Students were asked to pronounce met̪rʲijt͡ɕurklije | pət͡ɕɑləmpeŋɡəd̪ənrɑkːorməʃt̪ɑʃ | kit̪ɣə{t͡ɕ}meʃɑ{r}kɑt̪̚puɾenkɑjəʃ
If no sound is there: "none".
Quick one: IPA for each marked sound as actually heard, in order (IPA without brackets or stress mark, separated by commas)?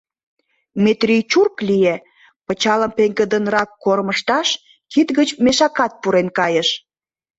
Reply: t͡ɕ, none